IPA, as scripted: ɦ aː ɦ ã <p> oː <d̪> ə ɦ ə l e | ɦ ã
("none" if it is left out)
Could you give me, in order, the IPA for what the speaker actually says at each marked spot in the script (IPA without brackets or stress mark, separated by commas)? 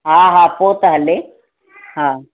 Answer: p, t̪